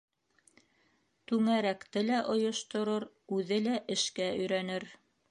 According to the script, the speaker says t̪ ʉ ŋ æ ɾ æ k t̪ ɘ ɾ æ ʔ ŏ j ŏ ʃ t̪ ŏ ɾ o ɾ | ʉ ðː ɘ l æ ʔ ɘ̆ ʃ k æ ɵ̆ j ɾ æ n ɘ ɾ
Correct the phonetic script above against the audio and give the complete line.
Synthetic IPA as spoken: t̪ ʉ ŋ æ ɾ æ k t̪ ɘ l æ ʔ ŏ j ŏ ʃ t̪ ŏ ɾ o ɾ | ʉ ð ɘ l æ ʔ ɘ̆ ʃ k æ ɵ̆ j ɾ æ n ɘ ɾ

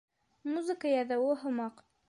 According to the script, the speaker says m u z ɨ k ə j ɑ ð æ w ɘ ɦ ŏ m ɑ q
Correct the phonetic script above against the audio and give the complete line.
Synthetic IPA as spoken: m u z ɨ k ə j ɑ ð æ w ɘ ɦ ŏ m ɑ q

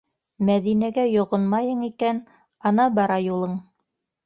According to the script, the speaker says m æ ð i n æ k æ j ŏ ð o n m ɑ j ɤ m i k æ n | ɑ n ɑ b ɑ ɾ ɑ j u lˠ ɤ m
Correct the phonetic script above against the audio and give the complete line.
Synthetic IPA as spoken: m æ ð i n æ ɡ æ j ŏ ʁ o n m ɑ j ɤ ɴ i k æ n | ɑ n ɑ b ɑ ɾ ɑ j u lˠ ɤ ɴ

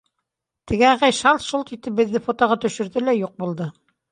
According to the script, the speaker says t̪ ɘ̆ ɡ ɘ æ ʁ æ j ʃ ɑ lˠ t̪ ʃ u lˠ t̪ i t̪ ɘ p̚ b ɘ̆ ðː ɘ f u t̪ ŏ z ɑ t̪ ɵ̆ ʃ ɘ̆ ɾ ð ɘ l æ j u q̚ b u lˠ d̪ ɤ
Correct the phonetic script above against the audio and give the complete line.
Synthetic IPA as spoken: t̪ ɘ̆ ɡ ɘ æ ʁ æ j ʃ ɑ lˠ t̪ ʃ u lˠ t̪ i t̪ ɘ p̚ b ɘ̆ ðː ɘ f o t̪ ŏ ʁ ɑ t̪ ɵ̆ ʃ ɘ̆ ɾ ð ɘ l æ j u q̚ b u lˠ d̪ ɤ

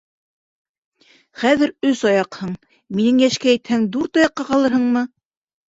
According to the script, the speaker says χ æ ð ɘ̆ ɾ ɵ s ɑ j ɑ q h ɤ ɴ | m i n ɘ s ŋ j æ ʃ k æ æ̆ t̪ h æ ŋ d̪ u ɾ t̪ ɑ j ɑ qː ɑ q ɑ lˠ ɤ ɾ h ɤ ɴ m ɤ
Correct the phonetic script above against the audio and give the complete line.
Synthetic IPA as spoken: χ æ ð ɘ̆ ɾ ɵ s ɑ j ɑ q h ɤ ɴ | m i n ɘ ŋ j æ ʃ k æ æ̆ t̪ h æ ŋ d̪ u ɾ t̪ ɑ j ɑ qː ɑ q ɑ lˠ ɤ ɾ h ɤ ɴ m ɤ

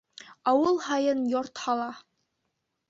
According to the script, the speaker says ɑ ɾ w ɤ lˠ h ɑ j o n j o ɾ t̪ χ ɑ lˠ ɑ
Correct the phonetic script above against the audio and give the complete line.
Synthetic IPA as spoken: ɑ w ɤ lˠ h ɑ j ɤ n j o ɾ t̪ h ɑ lˠ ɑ

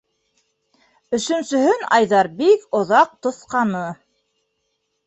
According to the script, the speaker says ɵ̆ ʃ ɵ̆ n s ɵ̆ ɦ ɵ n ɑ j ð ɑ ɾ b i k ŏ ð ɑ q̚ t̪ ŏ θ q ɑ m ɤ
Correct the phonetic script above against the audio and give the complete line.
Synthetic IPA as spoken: ɵ̆ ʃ ɵ̆ n s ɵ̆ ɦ ɵ n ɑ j ð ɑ ɾ b i k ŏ ð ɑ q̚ t̪ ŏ θ q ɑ n ɤ

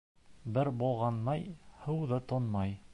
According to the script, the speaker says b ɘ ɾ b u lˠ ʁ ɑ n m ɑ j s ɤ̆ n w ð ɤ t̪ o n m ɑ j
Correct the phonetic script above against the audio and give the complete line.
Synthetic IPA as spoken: b ɘ ɾ b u lˠ ʁ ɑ n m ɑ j h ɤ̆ w ð ɤ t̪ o n m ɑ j

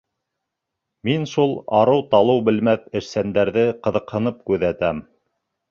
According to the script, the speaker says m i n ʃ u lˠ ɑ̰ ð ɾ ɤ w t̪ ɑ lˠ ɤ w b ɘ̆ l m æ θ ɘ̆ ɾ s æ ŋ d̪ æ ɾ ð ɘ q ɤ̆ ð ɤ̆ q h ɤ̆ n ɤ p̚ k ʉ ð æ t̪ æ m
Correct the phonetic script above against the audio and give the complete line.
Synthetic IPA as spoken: m i n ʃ u lˠ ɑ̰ ɾ ɤ w t̪ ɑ lˠ ɤ w b ɘ̆ l m æ θ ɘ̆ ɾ s æ n d̪ æ ɾ ð ɘ q ɤ̆ ð ɤ̆ q h ɤ̆ n ɤ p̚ k ʉ ð æ t̪ æ m

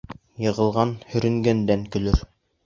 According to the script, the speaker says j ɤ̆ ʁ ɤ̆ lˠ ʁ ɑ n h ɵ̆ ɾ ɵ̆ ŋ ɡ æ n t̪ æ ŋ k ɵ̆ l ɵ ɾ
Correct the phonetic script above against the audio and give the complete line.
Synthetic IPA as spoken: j ɤ̆ ʁ ɤ̆ lˠ ʁ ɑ n h ɵ̆ ɾ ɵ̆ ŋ ɡ æ n d̪ æ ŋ k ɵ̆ l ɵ ɾ

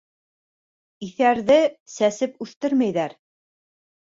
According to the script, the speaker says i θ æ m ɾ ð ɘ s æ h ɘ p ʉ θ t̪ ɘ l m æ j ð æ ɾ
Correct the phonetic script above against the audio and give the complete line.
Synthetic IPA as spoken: i θ æ ɾ ð ɘ s æ s ɘ p ʉ θ t̪ ɘ ɾ m æ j ð æ ɾ

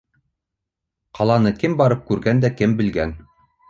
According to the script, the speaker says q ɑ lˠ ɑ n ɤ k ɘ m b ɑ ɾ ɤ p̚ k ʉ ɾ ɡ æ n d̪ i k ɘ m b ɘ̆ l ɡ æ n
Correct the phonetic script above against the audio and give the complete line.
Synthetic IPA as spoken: q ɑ lˠ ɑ n ɤ k ɘ m b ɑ ɾ ɤ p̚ k ʉ ɾ ɡ æ n d̪ æ k ɘ m b ɘ̆ l ɡ æ n

